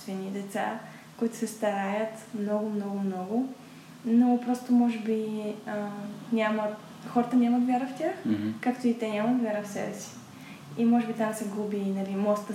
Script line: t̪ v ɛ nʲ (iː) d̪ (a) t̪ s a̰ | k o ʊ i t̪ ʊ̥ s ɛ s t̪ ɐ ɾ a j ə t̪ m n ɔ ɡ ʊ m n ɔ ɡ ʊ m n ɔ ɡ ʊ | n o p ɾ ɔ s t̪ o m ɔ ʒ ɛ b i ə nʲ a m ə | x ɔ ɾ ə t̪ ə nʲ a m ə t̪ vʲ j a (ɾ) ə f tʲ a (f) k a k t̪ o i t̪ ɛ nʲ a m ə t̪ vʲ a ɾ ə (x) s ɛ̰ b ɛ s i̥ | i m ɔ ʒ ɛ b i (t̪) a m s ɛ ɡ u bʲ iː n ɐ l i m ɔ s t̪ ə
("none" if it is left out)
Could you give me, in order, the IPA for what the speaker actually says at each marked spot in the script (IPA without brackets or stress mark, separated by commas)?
i, ɛ, ɾ, x, f, t̪